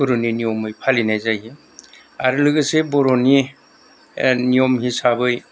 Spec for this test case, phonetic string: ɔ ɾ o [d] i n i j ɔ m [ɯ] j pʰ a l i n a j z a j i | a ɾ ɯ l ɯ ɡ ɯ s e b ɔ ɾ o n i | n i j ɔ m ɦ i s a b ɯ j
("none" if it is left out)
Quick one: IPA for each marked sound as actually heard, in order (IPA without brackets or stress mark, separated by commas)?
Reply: n, ɯ